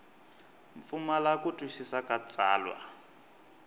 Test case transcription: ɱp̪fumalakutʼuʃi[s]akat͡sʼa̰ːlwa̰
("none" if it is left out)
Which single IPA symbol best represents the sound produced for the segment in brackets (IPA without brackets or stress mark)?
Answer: s